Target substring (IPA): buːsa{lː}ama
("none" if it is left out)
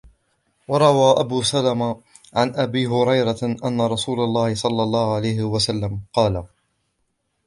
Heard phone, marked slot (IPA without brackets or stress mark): l